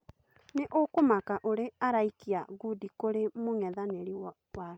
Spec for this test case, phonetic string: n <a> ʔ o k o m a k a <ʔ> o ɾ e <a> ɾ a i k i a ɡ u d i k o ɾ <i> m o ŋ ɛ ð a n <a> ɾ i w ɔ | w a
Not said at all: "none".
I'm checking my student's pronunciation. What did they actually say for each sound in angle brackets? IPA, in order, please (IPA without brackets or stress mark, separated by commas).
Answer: e, ʔ, a, e, e